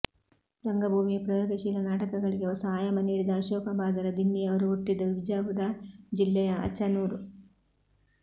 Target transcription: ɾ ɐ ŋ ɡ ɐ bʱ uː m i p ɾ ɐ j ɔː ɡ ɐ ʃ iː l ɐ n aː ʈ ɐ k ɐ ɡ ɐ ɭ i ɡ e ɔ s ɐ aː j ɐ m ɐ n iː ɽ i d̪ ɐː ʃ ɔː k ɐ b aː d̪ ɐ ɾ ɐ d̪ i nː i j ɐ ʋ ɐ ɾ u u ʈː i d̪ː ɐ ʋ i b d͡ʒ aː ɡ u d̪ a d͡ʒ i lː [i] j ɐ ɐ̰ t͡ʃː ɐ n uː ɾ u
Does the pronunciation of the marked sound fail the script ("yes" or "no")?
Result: yes